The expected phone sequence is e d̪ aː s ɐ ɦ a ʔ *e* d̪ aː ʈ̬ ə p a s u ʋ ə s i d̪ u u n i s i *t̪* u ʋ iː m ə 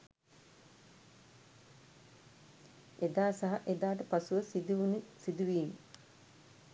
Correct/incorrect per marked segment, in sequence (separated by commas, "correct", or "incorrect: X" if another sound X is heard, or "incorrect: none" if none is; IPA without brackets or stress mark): correct, incorrect: d̪